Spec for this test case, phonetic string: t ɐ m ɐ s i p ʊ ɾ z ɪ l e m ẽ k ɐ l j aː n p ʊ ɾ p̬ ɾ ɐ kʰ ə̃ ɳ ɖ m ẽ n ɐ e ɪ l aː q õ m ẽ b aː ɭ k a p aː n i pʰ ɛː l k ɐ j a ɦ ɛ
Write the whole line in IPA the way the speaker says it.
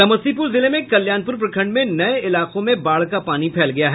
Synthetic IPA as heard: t ɐ m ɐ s i p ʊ ɾ z ɪ l e m ẽ k ɐ l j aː n p ʊ ɾ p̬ ɾ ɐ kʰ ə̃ ɳ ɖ m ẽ n ɐ e ɪ l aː q õ m ẽ b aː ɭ k a p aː n i pʰ ɛː l ɡ ɐ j a ɦ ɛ